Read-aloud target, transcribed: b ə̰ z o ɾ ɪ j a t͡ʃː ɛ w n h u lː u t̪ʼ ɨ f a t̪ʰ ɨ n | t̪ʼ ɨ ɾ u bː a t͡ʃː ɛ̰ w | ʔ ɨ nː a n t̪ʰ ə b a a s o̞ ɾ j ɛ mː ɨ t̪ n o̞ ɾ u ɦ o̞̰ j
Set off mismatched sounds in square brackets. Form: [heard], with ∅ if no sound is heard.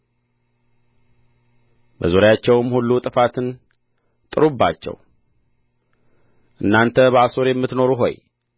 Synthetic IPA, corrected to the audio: b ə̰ z o ɾ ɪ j a t͡ʃː ɛ w [m] h u lː u t̪ʼ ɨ f a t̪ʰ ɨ n | t̪ʼ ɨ ɾ u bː a t͡ʃː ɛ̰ w | ʔ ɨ nː a n t̪ʰ ə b [ə] a s o̞ ɾ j ɛ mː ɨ t̪ n o̞ ɾ u ɦ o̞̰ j